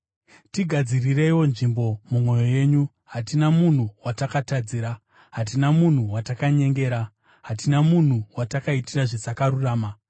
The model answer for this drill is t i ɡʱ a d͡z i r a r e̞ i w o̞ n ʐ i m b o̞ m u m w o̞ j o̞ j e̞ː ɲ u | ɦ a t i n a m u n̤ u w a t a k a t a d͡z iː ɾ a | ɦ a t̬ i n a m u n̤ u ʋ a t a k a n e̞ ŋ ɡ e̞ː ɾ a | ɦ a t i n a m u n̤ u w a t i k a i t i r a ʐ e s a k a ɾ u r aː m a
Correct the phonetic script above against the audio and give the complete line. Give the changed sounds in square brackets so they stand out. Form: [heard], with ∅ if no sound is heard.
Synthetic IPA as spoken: t i ɡʱ a d͡z i r [i] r e̞ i w o̞ n ʐ i m b o̞ m u m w o̞ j o̞ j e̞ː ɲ u | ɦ a t i n a m u n̤ u w a t a k a t a d͡z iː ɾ a | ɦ a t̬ i n a m u n̤ u [w] a t a k a [ɲ] e̞ ŋ ɡ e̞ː ɾ a | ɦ a t i n a m u n̤ u w a t [a] k a i t i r a ʐ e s a k a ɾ u r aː m a